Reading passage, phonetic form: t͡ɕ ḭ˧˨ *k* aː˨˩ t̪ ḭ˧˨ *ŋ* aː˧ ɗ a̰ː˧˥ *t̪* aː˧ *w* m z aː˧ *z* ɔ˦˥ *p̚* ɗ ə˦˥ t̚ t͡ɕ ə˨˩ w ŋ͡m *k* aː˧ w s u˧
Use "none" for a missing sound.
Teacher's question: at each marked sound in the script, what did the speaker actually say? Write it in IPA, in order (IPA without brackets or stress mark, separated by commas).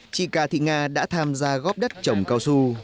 k, ŋ, t̪ʰ, none, ɣ, p̚, k